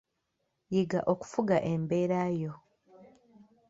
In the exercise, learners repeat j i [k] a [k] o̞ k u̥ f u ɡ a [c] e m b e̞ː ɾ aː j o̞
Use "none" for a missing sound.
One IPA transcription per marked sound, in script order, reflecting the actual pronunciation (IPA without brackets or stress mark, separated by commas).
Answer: ɡ, ʔ, ʔ